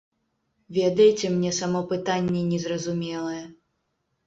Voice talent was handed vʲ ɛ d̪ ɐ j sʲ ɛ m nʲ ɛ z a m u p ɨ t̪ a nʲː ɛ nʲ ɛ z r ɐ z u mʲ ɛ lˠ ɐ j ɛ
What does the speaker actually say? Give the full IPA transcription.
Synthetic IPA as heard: vʲ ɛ d̪ ɐ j t͡sʲ ɛ m nʲ ɛ s a m ɔ p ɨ t̪ a nʲː ɛ nʲ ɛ z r ɐ z u mʲ ɛ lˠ ɐ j ɛ